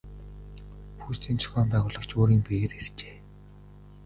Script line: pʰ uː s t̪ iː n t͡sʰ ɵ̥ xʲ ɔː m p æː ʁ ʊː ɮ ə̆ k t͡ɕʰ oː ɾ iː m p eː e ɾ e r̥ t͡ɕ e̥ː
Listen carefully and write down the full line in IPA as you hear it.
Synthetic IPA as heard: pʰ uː s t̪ iː n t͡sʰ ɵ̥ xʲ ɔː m p æː ʁ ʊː ɮ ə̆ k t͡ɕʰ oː ɾ iː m p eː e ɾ e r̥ t͡ɕ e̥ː